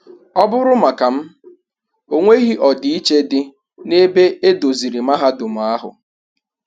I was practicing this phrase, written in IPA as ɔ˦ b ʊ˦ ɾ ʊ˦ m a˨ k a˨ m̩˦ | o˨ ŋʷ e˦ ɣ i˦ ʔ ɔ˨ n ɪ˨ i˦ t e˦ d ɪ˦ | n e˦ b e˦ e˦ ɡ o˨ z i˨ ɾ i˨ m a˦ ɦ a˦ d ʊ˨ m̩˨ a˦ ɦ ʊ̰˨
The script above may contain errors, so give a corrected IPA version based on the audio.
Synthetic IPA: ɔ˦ b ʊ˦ ɾ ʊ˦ m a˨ k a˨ m̩˦ | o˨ ŋʷ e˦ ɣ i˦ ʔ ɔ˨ d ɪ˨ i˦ t͡ʃ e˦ d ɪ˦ | n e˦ b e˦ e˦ d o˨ z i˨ ɾ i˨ m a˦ ɦ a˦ d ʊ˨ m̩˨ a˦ ɦ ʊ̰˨